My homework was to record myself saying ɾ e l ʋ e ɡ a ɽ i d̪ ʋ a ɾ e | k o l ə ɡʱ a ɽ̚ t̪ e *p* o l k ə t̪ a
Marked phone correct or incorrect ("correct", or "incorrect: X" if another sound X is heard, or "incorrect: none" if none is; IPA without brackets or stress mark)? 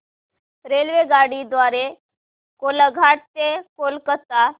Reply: incorrect: k